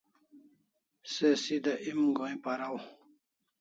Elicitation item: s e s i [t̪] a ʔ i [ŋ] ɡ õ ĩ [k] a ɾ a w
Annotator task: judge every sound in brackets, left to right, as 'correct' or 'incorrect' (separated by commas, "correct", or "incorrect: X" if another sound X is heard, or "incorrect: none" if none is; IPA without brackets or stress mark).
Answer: incorrect: d̪, incorrect: m, incorrect: p